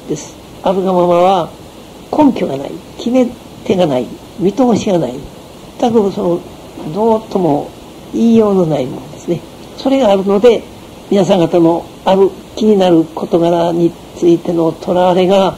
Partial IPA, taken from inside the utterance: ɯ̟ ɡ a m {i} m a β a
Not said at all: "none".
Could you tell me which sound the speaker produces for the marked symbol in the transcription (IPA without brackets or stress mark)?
a